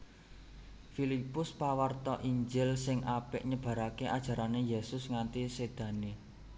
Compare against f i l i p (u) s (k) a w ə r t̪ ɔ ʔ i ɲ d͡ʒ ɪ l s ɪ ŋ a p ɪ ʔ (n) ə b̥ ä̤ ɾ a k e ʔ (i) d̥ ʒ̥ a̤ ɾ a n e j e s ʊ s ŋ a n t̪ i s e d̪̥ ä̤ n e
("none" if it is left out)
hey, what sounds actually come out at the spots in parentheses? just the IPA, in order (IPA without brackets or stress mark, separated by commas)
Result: ʊ, p, ɲ, a